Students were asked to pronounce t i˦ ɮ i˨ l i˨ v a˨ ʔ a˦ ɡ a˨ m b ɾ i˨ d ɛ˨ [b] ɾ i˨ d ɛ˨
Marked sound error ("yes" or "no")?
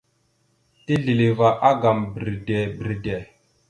no